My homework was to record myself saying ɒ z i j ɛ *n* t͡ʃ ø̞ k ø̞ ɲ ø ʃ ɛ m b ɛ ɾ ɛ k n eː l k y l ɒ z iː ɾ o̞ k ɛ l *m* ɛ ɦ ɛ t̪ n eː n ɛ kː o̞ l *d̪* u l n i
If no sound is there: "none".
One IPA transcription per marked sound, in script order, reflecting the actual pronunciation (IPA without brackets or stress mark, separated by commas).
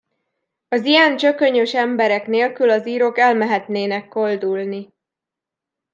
n, m, d̪